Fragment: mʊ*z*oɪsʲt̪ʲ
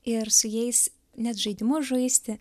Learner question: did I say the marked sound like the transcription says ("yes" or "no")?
no